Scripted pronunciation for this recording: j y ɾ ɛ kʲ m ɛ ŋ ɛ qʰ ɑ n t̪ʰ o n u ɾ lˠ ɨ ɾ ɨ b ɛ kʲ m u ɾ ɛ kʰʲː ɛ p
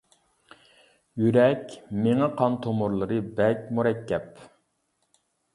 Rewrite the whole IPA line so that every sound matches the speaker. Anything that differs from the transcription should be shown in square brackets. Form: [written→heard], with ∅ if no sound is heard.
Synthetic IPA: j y ɾ ɛ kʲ m [ɛ→e] ŋ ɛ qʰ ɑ n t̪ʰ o [n→m] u ɾ lˠ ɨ ɾ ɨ b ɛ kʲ m u ɾ ɛ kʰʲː ɛ p